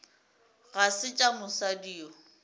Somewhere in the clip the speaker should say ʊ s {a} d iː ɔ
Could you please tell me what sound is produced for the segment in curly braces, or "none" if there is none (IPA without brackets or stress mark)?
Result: a